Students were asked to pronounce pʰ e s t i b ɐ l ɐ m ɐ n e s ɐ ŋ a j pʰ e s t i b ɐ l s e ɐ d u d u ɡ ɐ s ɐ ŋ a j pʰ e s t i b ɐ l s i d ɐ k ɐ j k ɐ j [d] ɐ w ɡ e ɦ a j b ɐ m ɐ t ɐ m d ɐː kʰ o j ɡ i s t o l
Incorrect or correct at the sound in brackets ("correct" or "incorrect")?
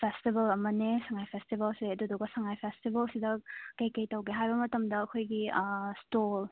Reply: incorrect